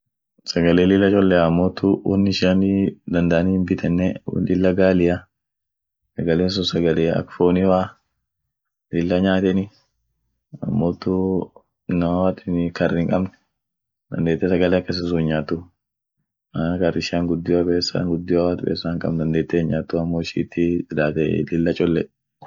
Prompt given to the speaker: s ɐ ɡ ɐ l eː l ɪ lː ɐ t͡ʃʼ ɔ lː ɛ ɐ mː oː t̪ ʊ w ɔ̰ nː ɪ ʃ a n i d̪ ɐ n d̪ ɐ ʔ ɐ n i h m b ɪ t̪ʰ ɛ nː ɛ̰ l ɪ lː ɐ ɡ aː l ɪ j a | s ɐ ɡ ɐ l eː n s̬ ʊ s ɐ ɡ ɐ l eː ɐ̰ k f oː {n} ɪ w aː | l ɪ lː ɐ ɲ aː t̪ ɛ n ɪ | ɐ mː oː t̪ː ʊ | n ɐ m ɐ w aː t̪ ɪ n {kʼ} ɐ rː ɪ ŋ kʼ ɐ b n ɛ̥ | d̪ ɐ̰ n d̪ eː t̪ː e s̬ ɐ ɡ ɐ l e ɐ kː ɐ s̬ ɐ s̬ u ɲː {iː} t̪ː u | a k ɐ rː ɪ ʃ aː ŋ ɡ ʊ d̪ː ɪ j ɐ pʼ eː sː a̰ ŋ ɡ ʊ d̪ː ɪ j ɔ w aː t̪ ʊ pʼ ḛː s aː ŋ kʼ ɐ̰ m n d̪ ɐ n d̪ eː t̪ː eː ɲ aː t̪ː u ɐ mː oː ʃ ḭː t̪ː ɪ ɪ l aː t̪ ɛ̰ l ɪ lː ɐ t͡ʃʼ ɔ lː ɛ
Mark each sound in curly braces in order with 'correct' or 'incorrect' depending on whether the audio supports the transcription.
correct, incorrect, incorrect

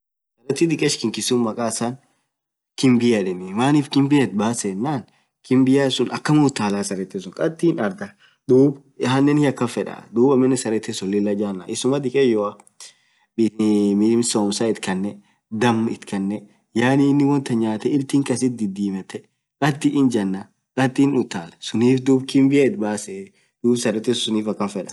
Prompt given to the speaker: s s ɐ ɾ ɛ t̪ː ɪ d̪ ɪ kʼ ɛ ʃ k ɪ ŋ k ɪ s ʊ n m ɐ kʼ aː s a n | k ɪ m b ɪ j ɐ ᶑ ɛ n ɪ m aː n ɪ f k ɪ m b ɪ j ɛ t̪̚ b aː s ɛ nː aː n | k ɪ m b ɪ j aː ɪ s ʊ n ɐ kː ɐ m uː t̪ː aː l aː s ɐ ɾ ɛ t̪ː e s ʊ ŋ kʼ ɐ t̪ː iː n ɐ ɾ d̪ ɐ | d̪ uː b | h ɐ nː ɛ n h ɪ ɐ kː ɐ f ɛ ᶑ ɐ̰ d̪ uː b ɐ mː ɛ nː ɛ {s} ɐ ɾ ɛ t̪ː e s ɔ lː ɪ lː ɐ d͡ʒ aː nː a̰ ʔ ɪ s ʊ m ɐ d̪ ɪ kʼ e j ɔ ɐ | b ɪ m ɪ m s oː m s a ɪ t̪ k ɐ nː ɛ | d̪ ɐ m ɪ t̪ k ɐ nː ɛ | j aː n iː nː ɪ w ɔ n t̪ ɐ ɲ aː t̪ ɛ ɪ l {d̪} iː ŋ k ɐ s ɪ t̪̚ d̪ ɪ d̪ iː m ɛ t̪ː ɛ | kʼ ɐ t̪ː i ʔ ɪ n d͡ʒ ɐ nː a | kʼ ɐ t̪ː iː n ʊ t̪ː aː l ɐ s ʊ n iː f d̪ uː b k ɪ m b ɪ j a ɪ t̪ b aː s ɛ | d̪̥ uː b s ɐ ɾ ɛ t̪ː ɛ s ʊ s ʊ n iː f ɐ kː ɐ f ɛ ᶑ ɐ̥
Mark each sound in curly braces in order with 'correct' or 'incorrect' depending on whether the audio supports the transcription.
correct, incorrect

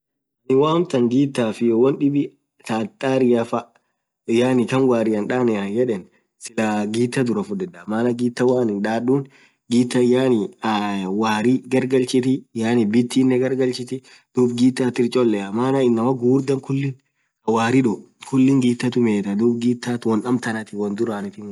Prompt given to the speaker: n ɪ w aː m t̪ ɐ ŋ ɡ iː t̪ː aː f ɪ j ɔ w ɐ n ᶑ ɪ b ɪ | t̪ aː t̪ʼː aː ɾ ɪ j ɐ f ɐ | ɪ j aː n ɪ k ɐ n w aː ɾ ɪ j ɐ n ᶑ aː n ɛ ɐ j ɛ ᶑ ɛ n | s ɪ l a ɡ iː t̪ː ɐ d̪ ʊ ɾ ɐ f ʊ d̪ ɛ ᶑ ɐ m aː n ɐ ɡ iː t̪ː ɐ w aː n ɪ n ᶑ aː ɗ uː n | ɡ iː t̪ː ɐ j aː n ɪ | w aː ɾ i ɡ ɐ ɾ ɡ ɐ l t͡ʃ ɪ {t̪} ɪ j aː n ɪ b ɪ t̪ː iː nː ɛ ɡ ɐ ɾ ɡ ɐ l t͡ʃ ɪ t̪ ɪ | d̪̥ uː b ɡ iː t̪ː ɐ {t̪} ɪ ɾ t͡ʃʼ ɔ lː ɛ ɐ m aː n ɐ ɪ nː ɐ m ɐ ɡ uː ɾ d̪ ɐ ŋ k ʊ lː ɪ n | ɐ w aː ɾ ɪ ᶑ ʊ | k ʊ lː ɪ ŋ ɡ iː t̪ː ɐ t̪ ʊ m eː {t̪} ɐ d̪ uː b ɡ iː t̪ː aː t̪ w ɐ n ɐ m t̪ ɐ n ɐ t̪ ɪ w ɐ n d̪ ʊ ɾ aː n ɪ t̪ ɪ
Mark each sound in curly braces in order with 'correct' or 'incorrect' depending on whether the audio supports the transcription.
correct, correct, correct

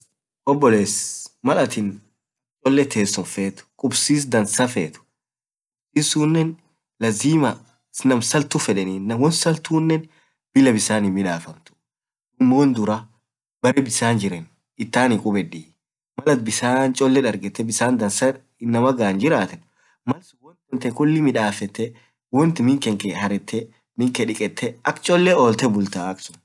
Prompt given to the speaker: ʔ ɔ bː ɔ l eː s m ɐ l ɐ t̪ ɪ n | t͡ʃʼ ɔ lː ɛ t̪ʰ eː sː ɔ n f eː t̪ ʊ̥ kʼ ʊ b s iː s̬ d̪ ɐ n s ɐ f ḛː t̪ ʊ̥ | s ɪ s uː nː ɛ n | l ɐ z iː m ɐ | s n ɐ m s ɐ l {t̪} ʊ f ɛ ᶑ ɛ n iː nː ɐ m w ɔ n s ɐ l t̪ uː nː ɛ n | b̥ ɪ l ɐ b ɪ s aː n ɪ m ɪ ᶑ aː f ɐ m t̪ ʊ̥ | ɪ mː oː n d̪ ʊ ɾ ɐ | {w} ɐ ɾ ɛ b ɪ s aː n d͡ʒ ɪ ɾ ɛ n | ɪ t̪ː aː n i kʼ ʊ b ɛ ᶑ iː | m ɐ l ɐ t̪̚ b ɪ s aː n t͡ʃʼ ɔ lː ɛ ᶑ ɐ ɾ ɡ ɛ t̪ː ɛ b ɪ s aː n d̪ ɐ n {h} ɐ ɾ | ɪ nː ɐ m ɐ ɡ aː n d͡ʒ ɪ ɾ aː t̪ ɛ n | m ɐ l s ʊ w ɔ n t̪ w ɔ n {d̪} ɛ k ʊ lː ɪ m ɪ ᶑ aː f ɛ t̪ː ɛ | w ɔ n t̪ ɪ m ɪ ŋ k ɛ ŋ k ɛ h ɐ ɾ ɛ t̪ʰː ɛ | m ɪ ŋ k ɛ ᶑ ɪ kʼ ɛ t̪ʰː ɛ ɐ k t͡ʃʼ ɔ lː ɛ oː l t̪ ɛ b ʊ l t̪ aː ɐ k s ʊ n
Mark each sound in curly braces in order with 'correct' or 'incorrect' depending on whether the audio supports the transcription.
correct, incorrect, incorrect, incorrect

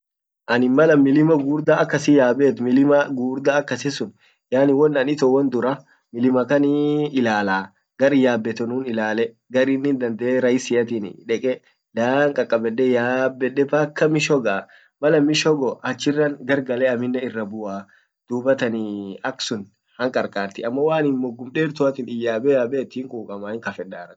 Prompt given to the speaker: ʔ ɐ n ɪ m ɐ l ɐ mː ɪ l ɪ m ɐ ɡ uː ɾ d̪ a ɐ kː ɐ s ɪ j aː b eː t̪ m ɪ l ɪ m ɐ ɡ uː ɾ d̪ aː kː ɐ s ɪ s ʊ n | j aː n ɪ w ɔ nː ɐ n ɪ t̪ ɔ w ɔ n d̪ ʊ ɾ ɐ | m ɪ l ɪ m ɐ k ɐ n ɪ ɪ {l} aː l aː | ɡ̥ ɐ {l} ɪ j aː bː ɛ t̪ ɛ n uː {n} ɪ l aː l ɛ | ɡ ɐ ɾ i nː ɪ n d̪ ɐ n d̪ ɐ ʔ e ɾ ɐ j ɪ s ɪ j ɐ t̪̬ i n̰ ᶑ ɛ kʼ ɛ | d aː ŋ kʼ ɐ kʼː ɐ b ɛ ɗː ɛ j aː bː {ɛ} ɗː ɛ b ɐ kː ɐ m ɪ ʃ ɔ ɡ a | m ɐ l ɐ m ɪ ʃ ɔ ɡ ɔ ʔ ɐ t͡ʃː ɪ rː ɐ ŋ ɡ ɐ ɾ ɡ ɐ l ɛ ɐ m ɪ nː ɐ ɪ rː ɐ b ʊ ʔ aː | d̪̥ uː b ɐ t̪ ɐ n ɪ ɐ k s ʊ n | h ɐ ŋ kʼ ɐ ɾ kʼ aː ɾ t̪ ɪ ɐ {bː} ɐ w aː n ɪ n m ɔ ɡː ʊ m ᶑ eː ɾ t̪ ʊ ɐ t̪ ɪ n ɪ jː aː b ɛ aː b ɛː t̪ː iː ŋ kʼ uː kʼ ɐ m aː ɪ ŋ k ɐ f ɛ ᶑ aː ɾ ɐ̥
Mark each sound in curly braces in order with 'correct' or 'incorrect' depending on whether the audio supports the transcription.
correct, incorrect, correct, correct, incorrect

